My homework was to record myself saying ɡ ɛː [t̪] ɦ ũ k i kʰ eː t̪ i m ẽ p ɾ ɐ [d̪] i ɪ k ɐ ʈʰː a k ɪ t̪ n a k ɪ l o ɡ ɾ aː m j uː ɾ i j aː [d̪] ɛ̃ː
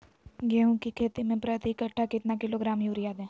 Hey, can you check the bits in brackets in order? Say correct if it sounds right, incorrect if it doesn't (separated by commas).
incorrect, incorrect, correct